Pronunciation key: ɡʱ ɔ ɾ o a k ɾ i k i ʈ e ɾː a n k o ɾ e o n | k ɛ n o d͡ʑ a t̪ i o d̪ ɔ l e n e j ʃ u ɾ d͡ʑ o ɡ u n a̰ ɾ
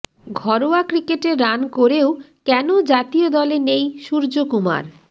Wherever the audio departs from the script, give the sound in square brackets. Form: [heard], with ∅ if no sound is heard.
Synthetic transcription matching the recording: ɡʱ ɔ ɾ o a k ɾ i k [e] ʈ e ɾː a n k o ɾ e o [∅] | k ɛ n o d͡ʑ a t̪ i o d̪ ɔ l e n e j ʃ u ɾ d͡ʑ o [k] u [m] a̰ ɾ